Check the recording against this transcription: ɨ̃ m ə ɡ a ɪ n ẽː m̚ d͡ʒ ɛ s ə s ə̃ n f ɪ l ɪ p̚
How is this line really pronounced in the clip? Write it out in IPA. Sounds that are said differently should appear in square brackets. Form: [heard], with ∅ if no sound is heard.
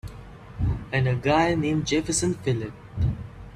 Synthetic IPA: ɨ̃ [n] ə ɡ a ɪ n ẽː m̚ d͡ʒ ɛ [f] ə s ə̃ n f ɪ l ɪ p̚